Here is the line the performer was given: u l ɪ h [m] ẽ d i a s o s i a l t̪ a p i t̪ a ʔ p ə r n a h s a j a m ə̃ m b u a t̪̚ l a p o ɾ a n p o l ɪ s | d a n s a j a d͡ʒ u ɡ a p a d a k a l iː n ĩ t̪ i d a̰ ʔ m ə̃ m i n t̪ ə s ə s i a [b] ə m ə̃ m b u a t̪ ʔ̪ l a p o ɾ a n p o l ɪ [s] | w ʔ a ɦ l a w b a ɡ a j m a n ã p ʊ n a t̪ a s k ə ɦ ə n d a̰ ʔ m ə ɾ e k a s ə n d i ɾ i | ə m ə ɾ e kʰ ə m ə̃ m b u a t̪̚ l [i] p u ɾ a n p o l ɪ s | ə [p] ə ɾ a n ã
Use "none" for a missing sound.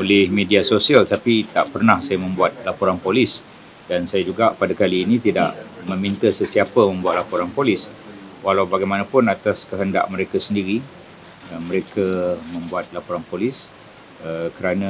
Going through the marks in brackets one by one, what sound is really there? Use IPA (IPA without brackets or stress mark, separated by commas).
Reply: m, p, s, a, k